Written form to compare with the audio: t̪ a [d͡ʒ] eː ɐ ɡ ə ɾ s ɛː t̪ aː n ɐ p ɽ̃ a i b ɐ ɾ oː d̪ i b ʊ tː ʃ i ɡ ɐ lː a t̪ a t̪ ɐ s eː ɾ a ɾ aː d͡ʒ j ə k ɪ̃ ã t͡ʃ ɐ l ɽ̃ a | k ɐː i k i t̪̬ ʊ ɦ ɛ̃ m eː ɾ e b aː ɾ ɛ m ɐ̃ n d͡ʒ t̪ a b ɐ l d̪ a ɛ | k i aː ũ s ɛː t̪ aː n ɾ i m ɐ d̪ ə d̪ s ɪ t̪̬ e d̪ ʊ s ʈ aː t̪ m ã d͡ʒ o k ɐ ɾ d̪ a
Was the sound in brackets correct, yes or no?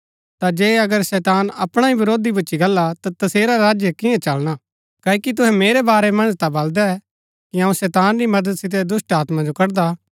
yes